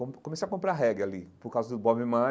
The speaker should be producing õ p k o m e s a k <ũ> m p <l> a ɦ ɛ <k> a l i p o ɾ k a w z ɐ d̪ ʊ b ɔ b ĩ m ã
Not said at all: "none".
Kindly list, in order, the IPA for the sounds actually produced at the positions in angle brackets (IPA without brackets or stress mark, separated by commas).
õ, ɾ, ɡ